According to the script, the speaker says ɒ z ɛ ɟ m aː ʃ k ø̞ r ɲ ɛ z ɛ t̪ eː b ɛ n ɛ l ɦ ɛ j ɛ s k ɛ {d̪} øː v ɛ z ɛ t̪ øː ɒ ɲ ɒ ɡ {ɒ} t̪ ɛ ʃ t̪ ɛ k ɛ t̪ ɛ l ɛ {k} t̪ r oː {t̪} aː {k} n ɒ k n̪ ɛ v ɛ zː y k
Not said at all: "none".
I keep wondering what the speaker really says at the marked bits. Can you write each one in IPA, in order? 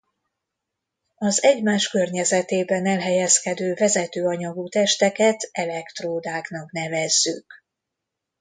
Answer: d̪, u, k, d̪, k

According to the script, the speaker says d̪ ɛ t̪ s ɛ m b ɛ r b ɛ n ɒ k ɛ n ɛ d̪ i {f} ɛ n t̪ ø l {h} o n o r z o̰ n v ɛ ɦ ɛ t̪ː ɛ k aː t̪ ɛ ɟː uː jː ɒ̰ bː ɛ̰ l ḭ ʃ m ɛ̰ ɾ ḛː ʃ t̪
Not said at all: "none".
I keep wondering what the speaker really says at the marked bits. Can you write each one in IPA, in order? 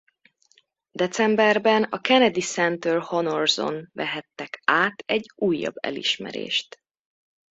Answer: s, h

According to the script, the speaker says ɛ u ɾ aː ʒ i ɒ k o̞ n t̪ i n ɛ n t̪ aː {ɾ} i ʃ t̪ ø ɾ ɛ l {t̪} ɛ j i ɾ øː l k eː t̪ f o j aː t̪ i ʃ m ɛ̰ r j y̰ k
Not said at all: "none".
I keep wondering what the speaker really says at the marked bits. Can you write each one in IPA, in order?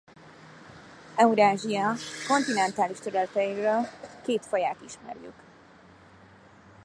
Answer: l, t̪

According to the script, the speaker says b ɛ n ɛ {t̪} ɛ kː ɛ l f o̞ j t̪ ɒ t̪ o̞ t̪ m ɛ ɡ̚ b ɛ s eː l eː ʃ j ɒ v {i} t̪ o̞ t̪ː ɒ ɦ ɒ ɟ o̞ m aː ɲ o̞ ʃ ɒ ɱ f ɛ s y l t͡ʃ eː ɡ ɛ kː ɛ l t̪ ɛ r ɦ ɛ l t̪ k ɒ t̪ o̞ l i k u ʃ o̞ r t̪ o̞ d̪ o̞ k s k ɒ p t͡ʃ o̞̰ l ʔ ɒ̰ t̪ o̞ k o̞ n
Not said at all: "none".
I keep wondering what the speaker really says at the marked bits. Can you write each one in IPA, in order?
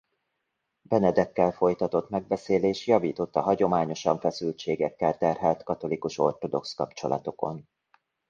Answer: d̪, iː

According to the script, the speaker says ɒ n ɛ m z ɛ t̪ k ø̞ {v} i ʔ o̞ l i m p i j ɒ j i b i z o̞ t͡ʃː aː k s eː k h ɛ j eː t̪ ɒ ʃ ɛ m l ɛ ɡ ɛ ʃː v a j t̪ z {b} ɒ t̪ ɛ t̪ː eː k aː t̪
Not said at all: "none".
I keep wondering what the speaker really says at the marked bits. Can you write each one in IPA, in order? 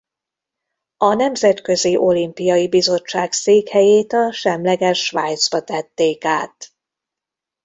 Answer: z, b

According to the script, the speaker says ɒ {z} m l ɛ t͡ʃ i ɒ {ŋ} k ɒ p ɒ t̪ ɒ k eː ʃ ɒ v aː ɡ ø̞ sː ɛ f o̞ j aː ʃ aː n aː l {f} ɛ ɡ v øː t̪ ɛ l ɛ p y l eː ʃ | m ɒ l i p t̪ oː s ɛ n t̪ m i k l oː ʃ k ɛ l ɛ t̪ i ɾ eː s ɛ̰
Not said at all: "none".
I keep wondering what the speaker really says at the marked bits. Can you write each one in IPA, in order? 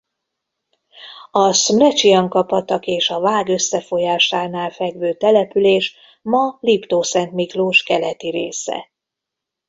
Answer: s, ŋ, f

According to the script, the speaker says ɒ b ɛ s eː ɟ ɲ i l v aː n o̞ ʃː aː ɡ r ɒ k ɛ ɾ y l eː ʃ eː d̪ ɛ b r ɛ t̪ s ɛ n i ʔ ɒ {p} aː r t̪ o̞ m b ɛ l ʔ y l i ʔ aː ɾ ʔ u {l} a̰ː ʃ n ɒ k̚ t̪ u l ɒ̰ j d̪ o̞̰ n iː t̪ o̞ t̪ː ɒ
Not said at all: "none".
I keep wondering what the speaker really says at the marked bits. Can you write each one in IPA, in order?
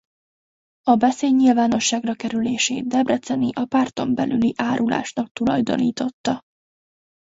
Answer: p, l

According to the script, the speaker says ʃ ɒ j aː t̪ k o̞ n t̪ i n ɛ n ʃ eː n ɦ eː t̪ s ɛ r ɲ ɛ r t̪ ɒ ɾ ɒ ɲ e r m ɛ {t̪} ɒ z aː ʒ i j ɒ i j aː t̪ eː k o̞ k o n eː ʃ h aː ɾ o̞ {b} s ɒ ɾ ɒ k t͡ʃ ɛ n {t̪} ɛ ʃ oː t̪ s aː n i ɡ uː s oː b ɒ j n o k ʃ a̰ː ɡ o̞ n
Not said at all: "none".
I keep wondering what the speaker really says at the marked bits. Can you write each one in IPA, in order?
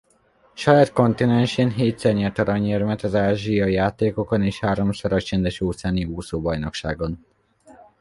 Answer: t̪, m, d̪

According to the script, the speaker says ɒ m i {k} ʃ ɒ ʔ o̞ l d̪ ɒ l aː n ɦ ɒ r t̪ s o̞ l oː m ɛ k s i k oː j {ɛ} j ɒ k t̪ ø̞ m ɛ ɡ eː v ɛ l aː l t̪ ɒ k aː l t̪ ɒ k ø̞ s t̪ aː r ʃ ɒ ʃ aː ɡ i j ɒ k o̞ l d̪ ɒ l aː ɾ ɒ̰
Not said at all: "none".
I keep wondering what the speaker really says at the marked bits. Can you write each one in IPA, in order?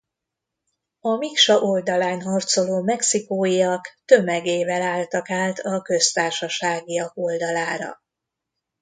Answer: k, i

